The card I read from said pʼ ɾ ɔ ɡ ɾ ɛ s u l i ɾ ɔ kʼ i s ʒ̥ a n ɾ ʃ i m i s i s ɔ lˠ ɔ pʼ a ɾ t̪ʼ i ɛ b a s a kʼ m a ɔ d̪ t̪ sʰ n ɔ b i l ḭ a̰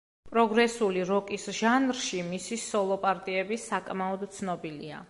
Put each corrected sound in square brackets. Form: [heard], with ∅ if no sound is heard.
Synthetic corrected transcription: pʼ ɾ ɔ ɡ ɾ ɛ s u l i ɾ ɔ kʼ i s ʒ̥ a n ɾ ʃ i m i s i s ɔ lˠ ɔ pʼ a ɾ t̪ʼ i ɛ b [i] s a kʼ m a ɔ d̪ t̪ sʰ n ɔ b i l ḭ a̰